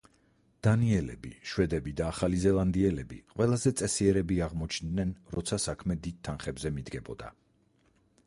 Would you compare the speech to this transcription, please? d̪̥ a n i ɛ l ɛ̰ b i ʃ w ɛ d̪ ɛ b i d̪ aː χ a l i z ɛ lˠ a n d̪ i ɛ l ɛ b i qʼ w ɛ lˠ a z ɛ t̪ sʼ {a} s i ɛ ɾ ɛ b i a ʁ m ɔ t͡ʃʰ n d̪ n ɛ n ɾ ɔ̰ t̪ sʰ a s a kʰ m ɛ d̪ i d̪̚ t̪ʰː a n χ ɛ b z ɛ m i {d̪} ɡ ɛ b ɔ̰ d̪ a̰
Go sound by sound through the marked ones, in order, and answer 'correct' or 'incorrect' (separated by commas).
incorrect, correct